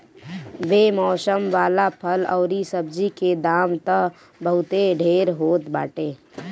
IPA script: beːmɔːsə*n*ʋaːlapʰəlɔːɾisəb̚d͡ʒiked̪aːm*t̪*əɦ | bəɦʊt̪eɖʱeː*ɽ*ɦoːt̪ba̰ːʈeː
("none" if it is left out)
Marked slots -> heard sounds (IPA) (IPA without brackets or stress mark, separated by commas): m, t̪, ɾ